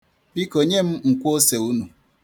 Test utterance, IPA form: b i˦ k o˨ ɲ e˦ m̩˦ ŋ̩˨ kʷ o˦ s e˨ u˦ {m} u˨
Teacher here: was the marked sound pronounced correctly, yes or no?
no